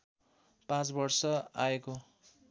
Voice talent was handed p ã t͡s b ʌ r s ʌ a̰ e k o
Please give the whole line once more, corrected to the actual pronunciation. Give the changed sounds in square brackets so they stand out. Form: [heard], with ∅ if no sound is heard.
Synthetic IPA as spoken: p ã t͡s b ʌ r s ʌ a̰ e k o